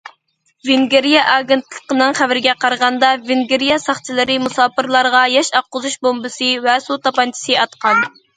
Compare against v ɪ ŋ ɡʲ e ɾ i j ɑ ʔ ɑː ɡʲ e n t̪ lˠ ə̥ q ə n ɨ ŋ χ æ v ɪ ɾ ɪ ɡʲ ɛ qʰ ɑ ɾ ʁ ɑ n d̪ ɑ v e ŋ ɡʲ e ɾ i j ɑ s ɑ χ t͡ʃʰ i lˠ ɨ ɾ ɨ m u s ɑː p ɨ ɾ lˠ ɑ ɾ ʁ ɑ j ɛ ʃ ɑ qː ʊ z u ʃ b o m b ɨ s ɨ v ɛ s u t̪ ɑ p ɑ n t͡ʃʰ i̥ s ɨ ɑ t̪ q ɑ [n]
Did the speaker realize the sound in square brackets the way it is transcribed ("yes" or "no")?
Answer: yes